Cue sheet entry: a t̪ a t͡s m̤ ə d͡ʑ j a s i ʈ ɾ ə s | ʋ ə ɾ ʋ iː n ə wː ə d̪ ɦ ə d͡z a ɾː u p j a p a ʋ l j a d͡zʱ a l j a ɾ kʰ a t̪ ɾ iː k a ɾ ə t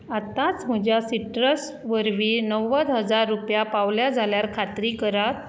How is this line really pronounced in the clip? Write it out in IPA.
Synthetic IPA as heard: a t̪ a t͡s m̤ ə d͡ʑ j a s i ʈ ɾ ə s | ʋ ə ɾ ʋ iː n ə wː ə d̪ ɦ ə d͡z a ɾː u p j a p a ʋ l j a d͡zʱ a l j a ɾ kʰ a t̪ ɾ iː k ə ɾ a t

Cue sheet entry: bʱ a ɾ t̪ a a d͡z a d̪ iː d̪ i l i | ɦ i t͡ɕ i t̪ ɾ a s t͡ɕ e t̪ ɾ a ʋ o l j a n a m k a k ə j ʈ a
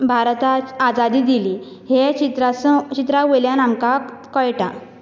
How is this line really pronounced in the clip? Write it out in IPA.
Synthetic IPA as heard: bʱ a ɾ t̪ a a d͡z a d̪ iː d̪ i l i | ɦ e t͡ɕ i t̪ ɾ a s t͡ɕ i t̪ ɾ a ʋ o l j a n a m k a k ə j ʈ a

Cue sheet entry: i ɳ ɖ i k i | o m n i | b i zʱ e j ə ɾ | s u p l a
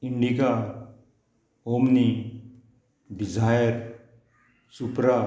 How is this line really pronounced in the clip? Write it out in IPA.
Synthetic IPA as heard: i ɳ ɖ i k a | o m n i | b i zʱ a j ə ɾ | s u p ɾ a

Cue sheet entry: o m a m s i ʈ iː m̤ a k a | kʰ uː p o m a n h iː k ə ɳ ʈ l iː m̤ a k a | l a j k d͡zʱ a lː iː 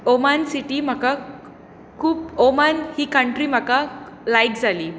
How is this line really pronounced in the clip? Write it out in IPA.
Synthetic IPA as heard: o m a n s i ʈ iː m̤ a k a | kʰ uː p o m a n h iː k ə ɳ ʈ ɾ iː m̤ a k a | l a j k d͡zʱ a l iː

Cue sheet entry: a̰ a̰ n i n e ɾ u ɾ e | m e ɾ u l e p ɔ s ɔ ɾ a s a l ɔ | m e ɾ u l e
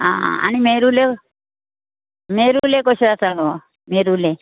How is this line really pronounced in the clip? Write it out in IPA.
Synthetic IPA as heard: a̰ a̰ n i m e ɾ u l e | m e ɾ u l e k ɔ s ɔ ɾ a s a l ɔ | m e ɾ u l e

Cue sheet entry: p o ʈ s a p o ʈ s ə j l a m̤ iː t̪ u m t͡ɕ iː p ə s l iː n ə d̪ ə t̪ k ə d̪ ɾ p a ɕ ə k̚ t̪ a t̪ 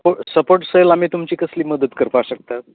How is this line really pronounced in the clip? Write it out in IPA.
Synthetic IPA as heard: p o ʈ s ə p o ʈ s ə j l a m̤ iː t̪ u m t͡ɕ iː k ə s l iː m ə d̪ ə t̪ k ə ɾ p a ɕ ə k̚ t̪ a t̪

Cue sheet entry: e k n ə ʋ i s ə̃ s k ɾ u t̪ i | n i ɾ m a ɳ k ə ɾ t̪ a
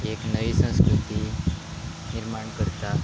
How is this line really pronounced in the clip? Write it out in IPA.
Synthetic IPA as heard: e k n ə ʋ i s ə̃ s k ɾ u t̪ i | n i ɾ m a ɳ k ə ɾ t̪ a

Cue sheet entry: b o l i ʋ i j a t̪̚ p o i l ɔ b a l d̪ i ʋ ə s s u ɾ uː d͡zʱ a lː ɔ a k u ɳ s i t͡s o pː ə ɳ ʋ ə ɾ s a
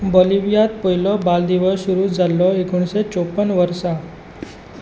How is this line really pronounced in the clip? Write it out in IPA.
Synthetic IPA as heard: b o l i ʋ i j a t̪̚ p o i l ɔ b a l d̪ i ʋ ə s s u ɾ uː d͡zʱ a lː ɔ e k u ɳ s e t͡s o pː ə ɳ ʋ ə ɾ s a

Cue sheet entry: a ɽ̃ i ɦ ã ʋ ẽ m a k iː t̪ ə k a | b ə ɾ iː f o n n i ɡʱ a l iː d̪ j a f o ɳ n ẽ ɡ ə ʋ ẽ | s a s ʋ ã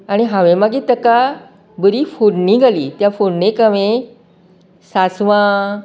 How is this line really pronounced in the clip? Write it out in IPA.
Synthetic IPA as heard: a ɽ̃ i ɦ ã ʋ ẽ m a ɡ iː t̪ ə k a | b ə ɾ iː f o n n i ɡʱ a l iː t̪ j a f o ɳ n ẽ k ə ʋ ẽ | s a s ʋ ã

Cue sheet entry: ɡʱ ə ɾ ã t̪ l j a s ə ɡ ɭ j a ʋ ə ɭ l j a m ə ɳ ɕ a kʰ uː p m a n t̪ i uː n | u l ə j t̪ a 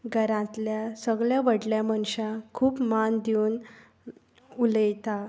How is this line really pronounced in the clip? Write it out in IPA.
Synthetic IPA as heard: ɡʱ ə ɾ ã t̪ l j a s ə ɡ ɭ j a ʋ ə ɽ l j a m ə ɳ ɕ a kʰ uː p m a n d̪ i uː n | u l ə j t̪ a

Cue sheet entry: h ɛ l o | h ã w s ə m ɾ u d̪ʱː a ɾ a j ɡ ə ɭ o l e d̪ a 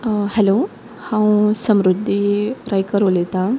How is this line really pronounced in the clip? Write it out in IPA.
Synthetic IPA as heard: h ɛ l o | h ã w s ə m ɾ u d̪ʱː i ɾ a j k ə ɾ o l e t̪ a

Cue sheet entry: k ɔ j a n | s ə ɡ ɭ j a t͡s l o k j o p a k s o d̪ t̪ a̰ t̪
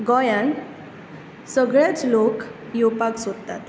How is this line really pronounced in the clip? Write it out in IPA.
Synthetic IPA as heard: ɡ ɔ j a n | s ə ɡ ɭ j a t͡s l o k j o p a k s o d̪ t̪ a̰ t̪

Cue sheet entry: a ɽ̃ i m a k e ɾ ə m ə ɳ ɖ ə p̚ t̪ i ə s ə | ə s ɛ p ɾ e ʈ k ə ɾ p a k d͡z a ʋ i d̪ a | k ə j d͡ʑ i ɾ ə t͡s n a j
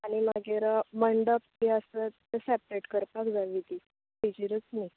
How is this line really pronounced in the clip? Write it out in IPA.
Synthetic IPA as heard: a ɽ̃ i m a ɡ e ɾ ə m ə ɳ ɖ ə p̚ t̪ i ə s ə | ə s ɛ p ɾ e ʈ k ə ɾ p a k d͡z a ʋ i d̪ i | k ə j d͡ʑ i ɾ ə t͡s n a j

